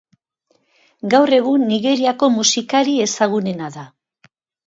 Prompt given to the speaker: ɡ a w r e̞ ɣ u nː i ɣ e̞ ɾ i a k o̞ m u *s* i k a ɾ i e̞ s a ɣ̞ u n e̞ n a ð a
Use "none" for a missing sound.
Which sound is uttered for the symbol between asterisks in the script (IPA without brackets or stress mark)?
s